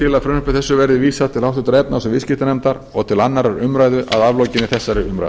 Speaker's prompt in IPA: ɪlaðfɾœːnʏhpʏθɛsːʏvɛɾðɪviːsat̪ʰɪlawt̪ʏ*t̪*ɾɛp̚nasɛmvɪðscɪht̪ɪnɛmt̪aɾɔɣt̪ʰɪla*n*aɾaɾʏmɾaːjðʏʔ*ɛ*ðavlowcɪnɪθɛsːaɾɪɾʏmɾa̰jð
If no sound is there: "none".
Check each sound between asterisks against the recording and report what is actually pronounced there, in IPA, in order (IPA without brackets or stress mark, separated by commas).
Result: t̪, nː, a